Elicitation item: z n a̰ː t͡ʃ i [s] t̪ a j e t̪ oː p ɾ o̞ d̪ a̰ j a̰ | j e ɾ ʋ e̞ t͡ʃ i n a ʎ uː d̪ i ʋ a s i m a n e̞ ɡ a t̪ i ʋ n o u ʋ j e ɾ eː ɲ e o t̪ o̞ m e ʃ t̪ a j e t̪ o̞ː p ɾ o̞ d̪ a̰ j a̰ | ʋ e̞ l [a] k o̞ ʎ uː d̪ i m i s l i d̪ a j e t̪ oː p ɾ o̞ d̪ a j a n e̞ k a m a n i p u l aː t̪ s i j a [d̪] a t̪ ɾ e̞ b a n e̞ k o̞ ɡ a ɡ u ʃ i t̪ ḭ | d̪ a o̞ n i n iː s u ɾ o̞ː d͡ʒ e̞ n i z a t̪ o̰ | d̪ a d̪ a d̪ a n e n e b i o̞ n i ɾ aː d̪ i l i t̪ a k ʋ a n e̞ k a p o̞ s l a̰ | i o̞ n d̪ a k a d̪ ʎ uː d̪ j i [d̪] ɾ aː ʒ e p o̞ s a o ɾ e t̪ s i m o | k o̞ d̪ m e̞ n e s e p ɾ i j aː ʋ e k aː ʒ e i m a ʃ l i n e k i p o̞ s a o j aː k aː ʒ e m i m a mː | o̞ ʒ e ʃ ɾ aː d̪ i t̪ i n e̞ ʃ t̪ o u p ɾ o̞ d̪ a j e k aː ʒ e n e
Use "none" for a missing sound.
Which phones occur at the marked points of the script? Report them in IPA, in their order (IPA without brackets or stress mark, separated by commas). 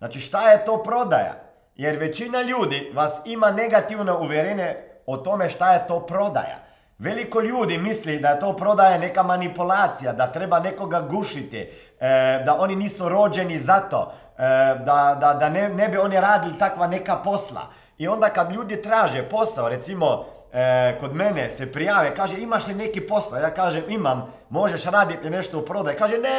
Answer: ʃ, i, d̪, t̪